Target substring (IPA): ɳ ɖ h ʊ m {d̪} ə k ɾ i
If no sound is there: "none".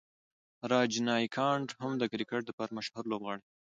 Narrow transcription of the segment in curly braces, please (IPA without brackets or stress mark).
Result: d̪